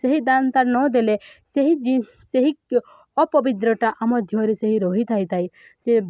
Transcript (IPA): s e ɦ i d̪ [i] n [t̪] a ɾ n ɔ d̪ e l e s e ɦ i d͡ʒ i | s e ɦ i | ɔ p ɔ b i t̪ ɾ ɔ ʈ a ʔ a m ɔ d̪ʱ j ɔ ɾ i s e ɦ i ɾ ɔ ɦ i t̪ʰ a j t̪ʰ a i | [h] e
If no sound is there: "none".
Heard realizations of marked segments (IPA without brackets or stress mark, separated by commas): a, t̪, s